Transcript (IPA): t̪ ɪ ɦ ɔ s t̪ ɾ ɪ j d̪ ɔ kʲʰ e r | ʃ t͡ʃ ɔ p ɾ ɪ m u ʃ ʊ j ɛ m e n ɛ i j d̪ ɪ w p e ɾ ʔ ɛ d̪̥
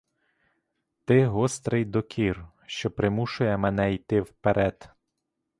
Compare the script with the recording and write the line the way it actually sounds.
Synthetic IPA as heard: t̪ ɪ ɦ ɔ s t̪ ɾ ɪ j d̪ ɔ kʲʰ i r | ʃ t͡ʃ ɔ p ɾ ɪ m u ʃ ʊ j ɛ m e n ɛ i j t̪ ɪ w p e ɾ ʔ ɛ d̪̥